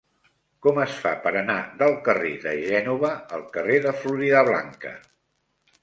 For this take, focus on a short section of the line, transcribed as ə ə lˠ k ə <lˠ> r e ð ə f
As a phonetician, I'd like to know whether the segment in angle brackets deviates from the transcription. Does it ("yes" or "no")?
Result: yes